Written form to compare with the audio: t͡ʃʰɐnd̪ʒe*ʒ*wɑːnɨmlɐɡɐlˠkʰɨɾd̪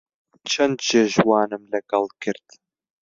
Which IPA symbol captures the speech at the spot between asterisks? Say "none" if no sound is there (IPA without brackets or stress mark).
ʒ